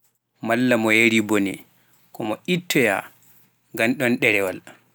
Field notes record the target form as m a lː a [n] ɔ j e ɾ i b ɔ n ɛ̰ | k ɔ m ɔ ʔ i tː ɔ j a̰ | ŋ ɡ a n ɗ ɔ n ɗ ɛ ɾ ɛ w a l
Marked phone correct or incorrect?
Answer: incorrect